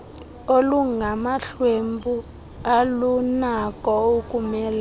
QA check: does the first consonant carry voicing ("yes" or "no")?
yes